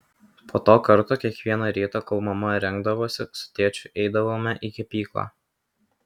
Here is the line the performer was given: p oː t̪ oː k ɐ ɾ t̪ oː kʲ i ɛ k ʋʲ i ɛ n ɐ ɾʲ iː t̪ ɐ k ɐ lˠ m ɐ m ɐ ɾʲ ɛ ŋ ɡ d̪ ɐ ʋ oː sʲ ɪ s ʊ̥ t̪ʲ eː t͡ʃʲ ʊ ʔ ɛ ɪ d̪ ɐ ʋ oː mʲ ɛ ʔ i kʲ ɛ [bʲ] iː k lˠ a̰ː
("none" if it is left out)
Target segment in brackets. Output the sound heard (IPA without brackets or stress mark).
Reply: pʲ